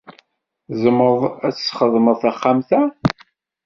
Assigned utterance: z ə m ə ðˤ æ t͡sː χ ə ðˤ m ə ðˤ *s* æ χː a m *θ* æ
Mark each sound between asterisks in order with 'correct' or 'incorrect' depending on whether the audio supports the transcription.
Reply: incorrect: θ, correct

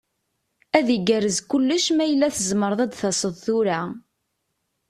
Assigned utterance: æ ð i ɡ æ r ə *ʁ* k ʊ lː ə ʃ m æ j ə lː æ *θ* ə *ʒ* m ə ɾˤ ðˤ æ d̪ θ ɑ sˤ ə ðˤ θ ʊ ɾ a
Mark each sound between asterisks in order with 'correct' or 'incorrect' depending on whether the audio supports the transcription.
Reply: incorrect: z, correct, incorrect: z

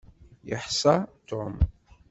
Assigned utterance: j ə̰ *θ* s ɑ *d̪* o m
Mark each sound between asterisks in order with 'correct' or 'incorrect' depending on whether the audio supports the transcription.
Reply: incorrect: ħ, incorrect: t̪

